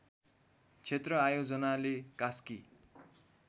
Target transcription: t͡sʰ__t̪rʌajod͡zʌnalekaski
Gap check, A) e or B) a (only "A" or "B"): A